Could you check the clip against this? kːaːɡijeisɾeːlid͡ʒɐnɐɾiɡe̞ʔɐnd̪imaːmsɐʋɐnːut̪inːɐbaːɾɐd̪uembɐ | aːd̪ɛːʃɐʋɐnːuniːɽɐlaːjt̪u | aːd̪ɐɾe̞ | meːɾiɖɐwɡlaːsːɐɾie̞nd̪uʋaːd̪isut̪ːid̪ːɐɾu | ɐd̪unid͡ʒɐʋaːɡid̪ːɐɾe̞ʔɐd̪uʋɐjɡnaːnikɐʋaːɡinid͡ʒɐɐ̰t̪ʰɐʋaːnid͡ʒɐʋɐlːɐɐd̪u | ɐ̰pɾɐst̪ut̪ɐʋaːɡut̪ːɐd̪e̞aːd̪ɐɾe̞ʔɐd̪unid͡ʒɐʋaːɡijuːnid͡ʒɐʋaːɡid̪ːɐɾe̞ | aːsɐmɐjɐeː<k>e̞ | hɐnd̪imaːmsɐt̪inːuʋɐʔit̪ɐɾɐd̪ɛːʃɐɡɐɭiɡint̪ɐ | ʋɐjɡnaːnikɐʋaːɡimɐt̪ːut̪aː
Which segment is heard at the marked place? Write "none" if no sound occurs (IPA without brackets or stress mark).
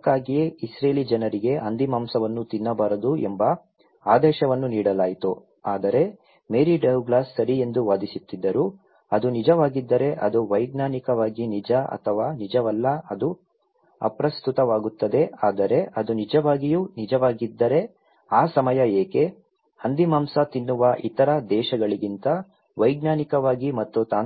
k